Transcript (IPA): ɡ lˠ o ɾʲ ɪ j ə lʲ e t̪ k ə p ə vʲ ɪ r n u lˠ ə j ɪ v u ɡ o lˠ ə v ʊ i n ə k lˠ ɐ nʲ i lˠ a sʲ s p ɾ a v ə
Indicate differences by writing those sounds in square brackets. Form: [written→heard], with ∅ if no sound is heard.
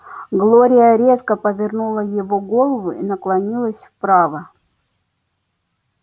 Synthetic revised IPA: ɡ lˠ o ɾʲ ɪ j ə [lʲ→ɾʲ] e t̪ k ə p ə vʲ ɪ r n u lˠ ə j ɪ v [u→o] ɡ o lˠ ə v ʊ i n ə k lˠ ɐ nʲ i lˠ [a→ə] sʲ [s→f] p ɾ a v ə